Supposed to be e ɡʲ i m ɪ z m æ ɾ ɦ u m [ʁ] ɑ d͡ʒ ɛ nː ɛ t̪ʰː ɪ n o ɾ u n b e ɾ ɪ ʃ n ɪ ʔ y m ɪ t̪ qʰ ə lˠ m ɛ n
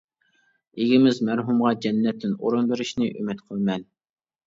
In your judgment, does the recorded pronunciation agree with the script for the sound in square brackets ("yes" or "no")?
yes